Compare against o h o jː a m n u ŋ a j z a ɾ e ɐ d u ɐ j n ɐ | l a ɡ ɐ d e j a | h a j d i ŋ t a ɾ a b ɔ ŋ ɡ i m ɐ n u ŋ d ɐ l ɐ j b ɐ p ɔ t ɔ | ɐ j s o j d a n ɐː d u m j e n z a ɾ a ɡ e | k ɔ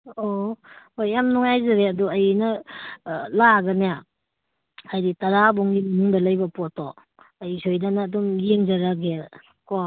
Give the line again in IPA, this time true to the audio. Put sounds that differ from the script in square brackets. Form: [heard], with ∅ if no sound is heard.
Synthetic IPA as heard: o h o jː a m n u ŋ a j z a ɾ e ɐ d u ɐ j n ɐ | l a ɡ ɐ [n] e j a | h a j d i [∅] t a ɾ a b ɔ ŋ ɡ i m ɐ n u ŋ d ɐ l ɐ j b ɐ p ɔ t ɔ | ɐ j s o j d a n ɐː d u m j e [ŋ] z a ɾ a ɡ e | k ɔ